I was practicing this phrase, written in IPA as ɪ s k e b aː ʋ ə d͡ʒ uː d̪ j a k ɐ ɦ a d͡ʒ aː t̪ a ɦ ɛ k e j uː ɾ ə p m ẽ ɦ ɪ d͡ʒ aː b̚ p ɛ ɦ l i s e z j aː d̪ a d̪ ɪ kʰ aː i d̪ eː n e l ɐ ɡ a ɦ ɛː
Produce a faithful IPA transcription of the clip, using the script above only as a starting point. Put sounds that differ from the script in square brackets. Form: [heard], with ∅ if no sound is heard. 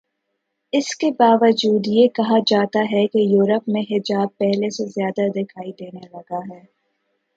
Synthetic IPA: ɪ s k e b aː ʋ ə d͡ʒ uː d̪ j [e] k ɐ ɦ a d͡ʒ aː t̪ a ɦ ɛ k e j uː ɾ ə p m ẽ ɦ ɪ d͡ʒ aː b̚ p ɛ ɦ l [e] s e z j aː d̪ a d̪ ɪ kʰ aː i d̪ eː n e l ɐ ɡ a ɦ ɛː